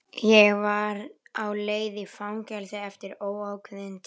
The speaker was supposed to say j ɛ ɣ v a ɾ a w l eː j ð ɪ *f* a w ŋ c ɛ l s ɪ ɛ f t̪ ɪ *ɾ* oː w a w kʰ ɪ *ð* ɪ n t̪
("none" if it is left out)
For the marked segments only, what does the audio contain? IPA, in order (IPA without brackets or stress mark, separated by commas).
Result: f, ɾ, ð